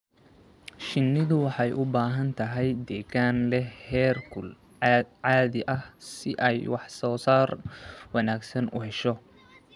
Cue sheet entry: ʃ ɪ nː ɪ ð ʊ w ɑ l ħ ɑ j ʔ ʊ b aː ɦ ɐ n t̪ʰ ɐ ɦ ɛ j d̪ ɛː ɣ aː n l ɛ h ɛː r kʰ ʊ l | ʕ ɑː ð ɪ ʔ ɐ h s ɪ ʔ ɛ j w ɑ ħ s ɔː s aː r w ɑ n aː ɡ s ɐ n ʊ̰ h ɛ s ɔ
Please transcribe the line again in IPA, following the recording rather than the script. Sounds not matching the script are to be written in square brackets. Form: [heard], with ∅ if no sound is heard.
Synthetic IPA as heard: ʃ ɪ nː ɪ ð ʊ w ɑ [∅] ħ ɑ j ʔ ʊ b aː ɦ ɐ n t̪ʰ ɐ ɦ ɛ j d̪ ɛː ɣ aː n l ɛ h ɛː r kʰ ʊ l | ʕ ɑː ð ɪ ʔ ɐ h s ɪ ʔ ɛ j w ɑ ħ s ɔː s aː r w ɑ n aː ɡ s ɐ n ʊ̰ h ɛ [ʃ] ɔ